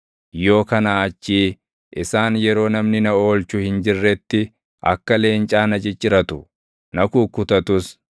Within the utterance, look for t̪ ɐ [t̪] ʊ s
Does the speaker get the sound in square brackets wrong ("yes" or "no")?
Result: no